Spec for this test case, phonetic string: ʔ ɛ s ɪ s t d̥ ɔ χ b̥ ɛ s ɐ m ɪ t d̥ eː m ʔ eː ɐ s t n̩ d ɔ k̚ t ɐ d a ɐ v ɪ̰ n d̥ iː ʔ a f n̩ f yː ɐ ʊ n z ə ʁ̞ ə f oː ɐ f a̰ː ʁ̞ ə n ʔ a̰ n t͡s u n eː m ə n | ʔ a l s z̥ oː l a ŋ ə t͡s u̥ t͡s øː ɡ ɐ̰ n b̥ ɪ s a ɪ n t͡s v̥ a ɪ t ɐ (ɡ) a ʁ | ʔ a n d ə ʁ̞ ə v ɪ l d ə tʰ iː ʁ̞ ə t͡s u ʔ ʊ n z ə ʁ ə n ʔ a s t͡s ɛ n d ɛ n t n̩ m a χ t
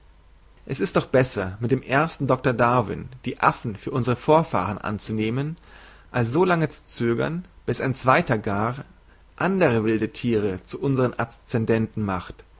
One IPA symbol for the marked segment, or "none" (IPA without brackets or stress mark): ɡ